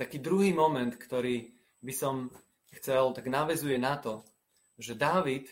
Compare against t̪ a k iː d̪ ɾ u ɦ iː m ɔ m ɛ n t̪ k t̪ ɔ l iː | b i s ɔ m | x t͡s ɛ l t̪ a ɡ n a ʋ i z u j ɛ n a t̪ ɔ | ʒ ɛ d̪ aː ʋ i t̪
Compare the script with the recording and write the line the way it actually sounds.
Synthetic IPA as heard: t̪ a k iː d̪ ɾ u ɦ iː m ɔ m ɛ n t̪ k t̪ ɔ ɾ iː | b i s ɔ m | x t͡s ɛ l t̪ a ɡ n a ʋ ɛ z u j ɛ n a t̪ ɔ | ʒ ɛ d̪ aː ʋ i t̪